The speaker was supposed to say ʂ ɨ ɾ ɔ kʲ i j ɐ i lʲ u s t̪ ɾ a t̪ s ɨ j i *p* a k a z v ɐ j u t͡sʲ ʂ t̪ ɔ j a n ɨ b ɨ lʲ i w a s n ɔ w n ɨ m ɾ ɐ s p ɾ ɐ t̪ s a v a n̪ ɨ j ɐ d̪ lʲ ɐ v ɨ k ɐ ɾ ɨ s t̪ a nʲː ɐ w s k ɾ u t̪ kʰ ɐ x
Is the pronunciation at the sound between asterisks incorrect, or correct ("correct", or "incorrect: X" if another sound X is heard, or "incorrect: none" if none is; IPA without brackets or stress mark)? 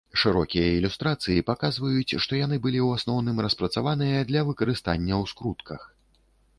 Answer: correct